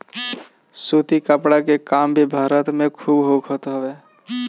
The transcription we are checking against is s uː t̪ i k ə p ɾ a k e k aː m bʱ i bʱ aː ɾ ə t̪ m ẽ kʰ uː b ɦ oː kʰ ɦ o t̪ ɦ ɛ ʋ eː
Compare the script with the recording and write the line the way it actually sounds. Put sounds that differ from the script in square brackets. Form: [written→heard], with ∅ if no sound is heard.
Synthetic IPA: s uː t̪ i k ə p [ɾ→ɽ] a k e k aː m bʱ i bʱ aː ɾ ə t̪ m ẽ kʰ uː b ɦ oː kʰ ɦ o t̪ ɦ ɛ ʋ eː